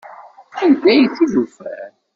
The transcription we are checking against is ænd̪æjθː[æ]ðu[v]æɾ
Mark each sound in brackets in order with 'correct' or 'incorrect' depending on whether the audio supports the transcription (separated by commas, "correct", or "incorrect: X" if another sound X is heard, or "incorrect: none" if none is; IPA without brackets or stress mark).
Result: incorrect: i, incorrect: f